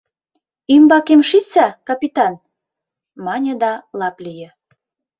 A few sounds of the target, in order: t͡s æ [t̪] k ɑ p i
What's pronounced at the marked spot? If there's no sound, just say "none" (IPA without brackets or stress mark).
none